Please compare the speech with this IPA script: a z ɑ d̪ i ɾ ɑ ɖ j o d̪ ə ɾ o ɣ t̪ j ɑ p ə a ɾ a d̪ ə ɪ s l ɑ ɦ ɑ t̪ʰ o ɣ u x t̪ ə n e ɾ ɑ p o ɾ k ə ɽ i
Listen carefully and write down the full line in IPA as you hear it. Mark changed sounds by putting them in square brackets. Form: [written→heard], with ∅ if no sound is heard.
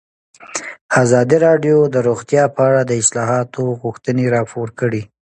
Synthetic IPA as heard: a z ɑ d̪ i ɾ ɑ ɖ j o d̪ ə ɾ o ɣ t̪ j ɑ p ə a [ɾ→ɽ] a d̪ ə ɪ s l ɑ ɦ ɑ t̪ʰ o ɣ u x t̪ ə n e ɾ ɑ p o ɾ k ə ɽ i